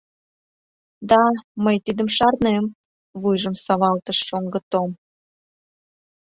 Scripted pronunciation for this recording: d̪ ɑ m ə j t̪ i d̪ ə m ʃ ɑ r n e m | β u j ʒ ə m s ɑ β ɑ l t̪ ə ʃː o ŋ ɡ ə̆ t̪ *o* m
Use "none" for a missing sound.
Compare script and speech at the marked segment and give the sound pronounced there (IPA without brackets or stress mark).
o